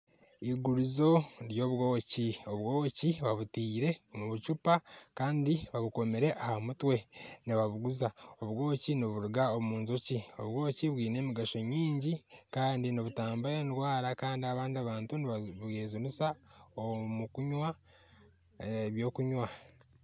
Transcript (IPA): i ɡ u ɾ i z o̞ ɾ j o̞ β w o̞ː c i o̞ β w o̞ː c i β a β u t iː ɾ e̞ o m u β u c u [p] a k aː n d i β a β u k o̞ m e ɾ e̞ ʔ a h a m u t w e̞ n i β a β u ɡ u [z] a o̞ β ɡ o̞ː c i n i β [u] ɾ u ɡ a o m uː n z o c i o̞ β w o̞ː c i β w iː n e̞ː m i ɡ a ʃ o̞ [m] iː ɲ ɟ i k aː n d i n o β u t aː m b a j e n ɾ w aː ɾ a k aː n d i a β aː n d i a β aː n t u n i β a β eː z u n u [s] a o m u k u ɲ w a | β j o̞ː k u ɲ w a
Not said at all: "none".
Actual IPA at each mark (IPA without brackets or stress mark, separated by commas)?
p, z, u, ɲ, s